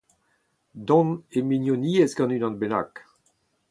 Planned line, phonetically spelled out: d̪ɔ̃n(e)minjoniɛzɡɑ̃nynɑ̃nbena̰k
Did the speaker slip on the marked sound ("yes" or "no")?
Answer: no